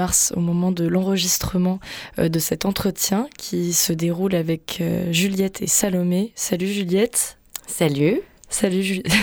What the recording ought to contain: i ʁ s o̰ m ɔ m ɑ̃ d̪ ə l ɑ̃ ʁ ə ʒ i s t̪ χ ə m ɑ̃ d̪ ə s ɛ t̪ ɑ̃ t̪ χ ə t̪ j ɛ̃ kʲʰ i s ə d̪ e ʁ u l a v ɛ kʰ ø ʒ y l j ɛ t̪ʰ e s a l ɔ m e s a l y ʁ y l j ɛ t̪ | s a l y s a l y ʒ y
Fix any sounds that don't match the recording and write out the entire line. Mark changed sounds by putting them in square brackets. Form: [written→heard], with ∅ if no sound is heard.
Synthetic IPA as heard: [i→a] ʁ s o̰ m ɔ m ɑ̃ d̪ ə l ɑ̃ ʁ ə ʒ i s t̪ χ ə m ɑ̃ d̪ ə s ɛ t̪ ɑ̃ t̪ χ ə t̪ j ɛ̃ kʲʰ i s ə d̪ e ʁ u l a v ɛ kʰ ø ʒ y l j ɛ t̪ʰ e s a l ɔ m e s a l y [ʁ→ʒ] y l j ɛ t̪ | s a l y s a l y ʒ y